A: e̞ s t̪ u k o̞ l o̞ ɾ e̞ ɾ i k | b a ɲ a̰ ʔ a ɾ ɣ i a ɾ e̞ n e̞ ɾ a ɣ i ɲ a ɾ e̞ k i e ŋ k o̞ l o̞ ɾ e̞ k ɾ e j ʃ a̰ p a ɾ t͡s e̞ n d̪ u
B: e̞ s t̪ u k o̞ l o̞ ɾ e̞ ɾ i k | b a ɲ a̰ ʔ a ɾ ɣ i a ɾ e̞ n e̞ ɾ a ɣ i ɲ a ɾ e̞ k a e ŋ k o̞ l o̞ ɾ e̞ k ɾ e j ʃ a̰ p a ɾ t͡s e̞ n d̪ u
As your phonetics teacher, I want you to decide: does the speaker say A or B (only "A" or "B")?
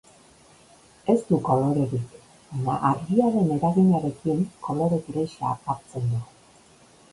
A